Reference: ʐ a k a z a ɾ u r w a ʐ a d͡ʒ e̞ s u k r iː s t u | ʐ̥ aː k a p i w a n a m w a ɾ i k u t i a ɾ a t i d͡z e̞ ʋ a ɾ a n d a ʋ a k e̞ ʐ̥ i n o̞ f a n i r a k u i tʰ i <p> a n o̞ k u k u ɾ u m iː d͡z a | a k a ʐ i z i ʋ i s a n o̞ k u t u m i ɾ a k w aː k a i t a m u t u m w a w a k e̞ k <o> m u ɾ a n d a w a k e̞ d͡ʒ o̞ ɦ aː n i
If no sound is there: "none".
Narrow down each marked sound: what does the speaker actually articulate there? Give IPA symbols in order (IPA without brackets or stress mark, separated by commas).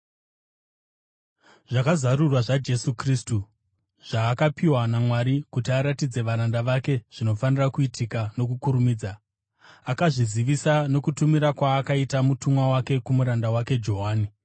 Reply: k, u